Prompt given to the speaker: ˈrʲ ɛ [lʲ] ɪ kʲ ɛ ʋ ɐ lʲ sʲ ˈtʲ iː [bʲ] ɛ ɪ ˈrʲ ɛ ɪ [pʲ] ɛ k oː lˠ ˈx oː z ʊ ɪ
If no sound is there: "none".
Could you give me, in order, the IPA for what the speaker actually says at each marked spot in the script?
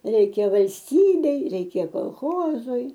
none, bʲ, kʲ

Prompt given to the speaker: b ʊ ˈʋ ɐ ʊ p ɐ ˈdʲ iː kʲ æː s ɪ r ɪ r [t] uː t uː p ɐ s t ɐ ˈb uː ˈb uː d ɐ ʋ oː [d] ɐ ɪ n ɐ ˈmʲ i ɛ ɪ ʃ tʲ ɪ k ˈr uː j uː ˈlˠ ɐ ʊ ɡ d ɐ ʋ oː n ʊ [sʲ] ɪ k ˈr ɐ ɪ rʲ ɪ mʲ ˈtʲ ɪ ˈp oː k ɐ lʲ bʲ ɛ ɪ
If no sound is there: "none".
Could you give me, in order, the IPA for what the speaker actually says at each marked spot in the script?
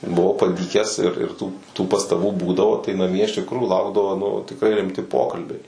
t, t, tʲ

